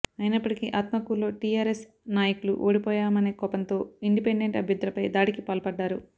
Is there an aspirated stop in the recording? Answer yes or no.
no